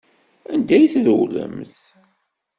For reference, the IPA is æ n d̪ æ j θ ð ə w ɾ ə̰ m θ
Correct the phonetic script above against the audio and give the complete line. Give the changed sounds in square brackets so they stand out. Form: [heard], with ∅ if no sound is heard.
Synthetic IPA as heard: æ n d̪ æ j θ ð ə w [l] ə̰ m θ